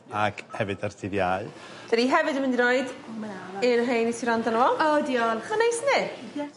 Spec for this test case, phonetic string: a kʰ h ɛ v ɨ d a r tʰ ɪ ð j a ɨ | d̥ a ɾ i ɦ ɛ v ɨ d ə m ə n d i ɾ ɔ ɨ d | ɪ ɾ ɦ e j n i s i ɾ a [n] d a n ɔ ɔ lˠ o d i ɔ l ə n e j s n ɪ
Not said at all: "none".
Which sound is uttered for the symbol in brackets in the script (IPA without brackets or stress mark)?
n